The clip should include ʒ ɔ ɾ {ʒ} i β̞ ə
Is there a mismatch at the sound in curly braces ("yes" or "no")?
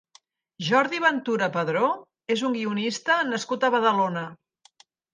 yes